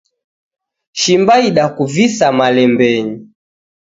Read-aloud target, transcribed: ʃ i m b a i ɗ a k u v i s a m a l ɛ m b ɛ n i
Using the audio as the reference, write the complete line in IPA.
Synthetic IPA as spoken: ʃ i m b a i ɗ a k u v i s a m a l ɛ m b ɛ ɲ i